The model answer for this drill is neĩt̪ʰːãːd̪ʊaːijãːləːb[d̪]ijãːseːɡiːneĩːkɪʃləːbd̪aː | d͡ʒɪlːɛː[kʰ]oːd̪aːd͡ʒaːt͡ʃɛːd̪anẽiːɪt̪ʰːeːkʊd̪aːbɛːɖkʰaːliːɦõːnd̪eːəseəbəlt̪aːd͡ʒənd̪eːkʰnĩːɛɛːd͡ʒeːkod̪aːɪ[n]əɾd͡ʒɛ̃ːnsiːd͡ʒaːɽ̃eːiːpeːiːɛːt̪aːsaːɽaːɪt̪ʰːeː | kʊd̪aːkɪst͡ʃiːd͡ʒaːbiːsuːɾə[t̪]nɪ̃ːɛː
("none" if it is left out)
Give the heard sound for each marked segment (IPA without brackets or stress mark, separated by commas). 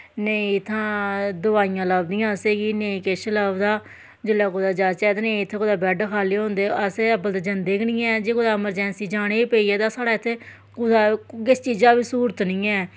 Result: d̪, k, m, t̪